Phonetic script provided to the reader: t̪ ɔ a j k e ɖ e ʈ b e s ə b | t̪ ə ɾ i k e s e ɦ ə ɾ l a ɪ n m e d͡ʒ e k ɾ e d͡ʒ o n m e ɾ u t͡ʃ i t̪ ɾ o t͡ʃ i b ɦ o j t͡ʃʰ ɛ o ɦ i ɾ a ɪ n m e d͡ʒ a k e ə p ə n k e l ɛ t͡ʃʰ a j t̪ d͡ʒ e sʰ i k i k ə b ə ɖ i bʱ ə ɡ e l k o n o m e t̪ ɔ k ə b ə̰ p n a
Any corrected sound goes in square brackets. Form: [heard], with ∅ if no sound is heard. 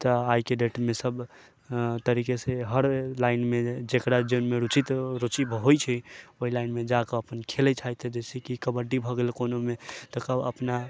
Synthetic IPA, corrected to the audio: t̪ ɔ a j k e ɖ e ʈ [m] e s ə b | t̪ ə ɾ i k e s e ɦ ə ɾ l a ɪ n m e d͡ʒ e k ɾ [a] d͡ʒ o n m e ɾ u t͡ʃ i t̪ ɾ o t͡ʃ i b ɦ o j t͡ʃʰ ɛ o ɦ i [l] a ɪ n m e d͡ʒ a k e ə p ə n [kʰ] e l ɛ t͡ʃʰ a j t̪ d͡ʒ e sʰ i k i k ə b ə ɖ i bʱ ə ɡ e l k o n o m e t̪ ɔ k ə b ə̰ p n a